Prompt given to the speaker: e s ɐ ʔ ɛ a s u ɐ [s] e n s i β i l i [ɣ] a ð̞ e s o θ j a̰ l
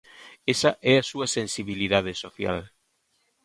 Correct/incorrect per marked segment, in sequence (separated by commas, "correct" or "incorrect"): correct, incorrect